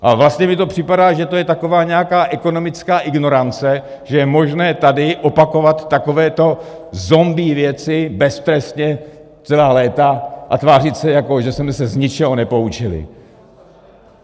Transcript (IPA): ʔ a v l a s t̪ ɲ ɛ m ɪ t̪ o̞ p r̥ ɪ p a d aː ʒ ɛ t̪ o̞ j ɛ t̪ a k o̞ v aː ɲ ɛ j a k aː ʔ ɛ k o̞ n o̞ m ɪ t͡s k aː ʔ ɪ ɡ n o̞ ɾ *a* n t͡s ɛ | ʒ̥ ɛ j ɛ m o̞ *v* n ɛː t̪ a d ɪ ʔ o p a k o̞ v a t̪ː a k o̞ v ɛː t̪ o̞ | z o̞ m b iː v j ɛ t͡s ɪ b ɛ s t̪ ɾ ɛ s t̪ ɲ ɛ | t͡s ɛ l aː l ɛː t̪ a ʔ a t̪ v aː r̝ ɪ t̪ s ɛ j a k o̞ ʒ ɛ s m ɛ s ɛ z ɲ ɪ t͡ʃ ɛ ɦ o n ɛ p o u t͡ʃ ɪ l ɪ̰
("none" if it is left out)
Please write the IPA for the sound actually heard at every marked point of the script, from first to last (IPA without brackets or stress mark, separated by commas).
a, ʒ